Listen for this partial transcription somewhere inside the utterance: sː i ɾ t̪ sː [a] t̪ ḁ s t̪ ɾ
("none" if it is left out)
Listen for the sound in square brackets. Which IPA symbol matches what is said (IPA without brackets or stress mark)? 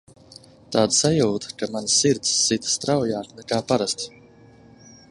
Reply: i